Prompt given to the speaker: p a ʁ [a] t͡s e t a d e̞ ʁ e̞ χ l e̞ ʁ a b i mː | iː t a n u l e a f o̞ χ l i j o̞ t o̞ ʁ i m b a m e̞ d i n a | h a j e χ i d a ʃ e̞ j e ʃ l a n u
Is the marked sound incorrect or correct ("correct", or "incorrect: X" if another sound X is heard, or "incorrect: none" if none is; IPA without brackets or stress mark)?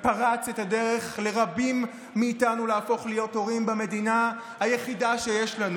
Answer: correct